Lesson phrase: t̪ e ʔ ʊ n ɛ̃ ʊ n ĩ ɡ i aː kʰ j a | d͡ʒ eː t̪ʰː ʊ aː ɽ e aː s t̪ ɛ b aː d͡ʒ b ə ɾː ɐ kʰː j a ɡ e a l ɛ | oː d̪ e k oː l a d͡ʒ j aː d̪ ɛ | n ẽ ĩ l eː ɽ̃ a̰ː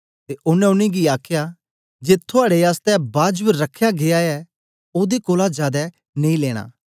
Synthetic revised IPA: t̪ e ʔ ʊ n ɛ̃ ʊ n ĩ ɡ i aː kʰ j a | d͡ʒ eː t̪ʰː ʊ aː ɽ e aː s t̪ ɛ b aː d͡ʒ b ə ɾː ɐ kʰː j a ɡ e a ɛ | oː d̪ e k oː l a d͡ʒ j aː d̪ ɛ | n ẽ ĩ l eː ɽ̃ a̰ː